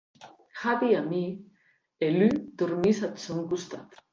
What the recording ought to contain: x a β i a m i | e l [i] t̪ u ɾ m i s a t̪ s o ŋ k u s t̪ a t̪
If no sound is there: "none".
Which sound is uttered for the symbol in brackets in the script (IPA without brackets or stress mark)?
y